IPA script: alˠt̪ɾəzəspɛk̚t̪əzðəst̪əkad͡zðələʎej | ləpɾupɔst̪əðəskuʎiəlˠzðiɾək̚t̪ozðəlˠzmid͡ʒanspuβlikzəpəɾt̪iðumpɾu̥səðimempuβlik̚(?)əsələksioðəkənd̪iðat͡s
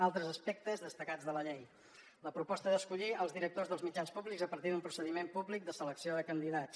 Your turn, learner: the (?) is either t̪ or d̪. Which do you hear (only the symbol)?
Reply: d̪